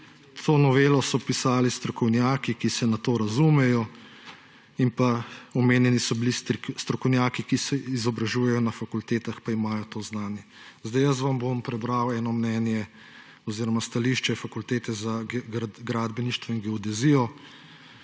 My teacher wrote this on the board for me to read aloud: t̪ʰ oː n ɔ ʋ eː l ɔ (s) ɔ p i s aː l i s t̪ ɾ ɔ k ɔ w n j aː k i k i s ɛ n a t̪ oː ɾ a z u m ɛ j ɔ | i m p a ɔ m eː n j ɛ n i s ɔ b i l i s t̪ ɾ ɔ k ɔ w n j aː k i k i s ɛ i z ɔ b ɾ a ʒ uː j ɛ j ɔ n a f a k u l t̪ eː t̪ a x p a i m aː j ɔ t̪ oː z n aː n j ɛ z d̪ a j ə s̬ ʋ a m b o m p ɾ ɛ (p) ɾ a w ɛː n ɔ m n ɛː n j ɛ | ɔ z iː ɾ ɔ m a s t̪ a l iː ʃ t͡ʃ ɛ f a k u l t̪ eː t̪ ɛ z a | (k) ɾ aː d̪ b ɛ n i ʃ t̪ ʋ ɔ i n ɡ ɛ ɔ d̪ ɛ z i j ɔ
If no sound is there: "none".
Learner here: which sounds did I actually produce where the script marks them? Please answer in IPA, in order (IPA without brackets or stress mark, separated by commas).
s, b, ɡ